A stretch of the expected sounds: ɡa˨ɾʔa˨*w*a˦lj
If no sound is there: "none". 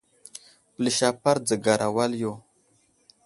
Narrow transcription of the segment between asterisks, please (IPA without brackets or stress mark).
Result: w